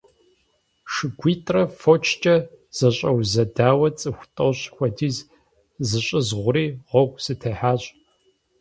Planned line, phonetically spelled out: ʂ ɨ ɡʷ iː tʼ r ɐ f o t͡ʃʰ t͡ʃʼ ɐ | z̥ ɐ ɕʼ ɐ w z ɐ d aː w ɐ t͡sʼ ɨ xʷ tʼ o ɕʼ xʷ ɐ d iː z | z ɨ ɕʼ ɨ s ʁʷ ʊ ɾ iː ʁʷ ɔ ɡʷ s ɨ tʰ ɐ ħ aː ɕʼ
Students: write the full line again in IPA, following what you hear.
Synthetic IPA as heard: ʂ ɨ ɡʷ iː tʼ r ɐ f o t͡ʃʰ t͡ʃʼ ɐ | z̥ ɐ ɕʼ ɐ w z ɐ d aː w ɐ t͡sʼ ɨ xʷ tʼ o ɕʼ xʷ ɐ d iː z | z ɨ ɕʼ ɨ z ʁʷ ʊ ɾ iː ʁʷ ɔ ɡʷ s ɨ tʰ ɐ ħ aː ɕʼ